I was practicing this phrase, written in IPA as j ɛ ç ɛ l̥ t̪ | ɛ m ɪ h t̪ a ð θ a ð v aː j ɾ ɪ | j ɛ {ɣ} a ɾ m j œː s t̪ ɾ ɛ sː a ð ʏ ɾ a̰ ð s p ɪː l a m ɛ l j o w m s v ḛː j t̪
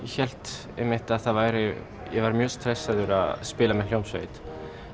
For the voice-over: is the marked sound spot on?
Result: no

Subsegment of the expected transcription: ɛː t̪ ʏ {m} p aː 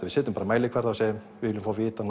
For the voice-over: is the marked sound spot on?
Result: yes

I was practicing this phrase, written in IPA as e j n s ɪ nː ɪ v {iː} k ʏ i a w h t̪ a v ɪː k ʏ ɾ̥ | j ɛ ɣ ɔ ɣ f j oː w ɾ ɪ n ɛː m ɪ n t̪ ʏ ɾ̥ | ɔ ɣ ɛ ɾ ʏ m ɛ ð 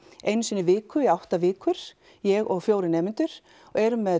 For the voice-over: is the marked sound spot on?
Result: no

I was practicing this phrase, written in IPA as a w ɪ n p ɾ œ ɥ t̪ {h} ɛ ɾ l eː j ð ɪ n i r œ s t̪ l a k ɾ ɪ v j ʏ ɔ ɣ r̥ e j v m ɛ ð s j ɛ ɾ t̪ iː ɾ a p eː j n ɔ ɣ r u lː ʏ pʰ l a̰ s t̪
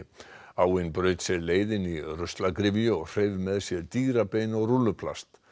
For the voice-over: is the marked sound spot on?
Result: no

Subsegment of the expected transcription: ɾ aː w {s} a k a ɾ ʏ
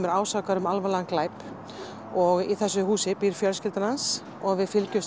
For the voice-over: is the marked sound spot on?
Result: yes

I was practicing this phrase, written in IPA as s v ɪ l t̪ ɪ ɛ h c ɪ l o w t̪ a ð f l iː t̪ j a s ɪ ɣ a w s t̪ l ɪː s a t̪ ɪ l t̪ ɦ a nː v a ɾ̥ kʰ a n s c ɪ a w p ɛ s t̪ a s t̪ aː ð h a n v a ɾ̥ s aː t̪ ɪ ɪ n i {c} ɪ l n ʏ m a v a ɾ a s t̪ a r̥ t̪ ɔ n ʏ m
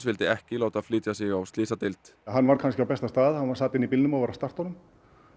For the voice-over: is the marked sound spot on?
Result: no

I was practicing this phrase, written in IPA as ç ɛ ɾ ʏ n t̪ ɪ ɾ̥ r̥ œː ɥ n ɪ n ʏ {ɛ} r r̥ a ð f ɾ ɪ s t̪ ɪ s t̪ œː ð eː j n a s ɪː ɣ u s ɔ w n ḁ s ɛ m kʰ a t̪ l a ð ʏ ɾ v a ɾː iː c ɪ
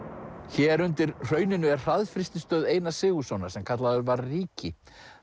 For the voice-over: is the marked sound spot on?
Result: yes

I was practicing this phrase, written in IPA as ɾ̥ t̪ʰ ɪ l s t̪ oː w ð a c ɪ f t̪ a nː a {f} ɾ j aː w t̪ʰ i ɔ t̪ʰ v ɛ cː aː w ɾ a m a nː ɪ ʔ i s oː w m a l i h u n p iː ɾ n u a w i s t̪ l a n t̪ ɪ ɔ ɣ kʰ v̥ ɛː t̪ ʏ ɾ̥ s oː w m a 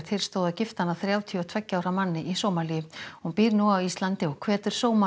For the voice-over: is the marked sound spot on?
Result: no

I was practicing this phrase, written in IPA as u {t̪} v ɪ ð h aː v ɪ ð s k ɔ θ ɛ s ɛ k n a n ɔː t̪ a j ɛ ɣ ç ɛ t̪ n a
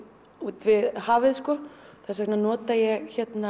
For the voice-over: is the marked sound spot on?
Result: yes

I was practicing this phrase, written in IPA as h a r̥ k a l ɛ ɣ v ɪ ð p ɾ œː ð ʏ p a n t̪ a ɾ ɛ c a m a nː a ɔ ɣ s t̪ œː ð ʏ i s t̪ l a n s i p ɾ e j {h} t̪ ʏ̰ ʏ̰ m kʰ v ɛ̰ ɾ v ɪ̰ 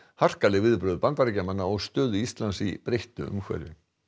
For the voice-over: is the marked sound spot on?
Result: yes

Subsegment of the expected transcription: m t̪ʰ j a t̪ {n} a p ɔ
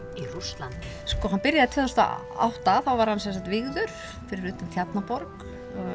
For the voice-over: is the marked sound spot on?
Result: yes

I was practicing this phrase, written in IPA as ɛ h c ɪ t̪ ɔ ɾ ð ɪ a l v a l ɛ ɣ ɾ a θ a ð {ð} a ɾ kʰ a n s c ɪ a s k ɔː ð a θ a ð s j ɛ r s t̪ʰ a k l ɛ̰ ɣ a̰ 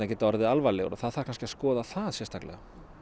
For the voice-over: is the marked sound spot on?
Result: no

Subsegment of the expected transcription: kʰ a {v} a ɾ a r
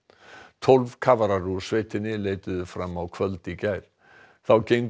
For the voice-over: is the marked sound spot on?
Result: yes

